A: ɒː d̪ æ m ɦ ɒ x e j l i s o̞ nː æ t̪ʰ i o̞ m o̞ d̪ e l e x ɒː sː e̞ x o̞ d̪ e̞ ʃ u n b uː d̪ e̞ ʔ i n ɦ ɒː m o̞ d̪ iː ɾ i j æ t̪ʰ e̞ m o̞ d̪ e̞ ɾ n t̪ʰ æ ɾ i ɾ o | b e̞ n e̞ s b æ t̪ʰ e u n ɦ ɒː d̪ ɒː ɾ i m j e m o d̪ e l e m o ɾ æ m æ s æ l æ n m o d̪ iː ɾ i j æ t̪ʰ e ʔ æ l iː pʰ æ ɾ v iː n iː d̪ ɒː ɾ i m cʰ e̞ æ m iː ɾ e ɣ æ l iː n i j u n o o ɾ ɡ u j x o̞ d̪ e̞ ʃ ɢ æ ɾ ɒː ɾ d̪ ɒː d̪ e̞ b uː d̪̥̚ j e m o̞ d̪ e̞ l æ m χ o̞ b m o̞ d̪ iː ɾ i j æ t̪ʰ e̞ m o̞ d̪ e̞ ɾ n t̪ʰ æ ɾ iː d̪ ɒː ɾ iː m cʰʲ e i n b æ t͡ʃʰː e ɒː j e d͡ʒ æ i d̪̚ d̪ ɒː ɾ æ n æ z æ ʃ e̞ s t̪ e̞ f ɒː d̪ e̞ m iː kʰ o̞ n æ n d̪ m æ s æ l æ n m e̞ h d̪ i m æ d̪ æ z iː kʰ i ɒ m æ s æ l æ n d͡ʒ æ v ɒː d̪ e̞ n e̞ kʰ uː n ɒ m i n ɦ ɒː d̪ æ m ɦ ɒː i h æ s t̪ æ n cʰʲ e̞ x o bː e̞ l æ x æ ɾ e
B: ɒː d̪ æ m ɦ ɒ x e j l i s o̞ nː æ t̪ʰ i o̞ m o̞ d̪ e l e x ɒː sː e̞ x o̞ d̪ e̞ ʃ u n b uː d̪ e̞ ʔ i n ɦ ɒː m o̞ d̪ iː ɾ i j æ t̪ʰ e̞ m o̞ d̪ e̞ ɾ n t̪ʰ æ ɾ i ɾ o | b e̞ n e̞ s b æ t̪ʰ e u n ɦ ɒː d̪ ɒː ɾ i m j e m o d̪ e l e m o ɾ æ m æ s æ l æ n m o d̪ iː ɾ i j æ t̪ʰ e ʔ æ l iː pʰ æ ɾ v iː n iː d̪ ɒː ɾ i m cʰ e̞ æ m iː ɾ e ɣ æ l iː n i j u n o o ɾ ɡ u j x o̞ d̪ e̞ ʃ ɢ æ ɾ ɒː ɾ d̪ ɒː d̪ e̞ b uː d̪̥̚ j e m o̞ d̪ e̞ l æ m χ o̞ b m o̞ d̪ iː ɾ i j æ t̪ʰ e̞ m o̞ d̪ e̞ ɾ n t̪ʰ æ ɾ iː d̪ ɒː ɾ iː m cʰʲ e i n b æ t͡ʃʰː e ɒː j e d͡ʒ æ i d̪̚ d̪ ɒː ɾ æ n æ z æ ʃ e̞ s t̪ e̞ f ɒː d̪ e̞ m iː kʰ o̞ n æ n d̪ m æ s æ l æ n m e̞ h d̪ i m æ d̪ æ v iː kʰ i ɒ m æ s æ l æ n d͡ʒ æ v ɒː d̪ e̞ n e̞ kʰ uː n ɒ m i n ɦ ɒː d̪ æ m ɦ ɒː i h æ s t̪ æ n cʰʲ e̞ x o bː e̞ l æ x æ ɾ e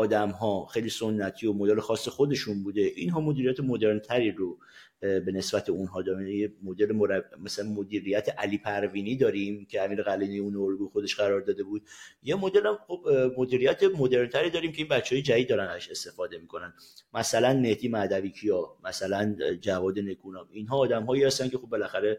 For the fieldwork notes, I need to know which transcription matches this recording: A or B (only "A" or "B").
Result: B